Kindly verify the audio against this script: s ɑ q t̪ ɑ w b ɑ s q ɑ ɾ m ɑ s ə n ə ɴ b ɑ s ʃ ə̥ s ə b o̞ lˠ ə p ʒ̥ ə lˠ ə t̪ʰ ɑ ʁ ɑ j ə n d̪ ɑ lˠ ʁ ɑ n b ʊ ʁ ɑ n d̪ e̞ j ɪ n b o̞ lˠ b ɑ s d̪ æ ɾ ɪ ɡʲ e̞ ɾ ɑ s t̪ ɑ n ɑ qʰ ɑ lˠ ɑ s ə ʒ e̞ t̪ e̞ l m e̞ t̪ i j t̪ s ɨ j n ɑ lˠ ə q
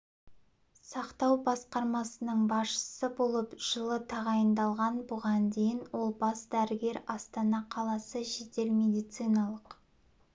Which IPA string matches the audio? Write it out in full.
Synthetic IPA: s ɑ q t̪ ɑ w b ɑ s q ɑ ɾ m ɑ s ə n ə ɴ b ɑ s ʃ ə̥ s ə b o̞ lˠ ə p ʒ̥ ə lˠ ə t̪ʰ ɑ ʁ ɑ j ə n d̪ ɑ lˠ ʁ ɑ n b ʊ ʁ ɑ n d̪ e̞ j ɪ n w o̞ lˠ b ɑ s d̪ æ ɾ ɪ ɡʲ e̞ ɾ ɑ s t̪ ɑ n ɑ qʰ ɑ lˠ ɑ s ə ʒ e̞ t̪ e̞ l m e̞ d̪ i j t̪ s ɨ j n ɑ lˠ ə q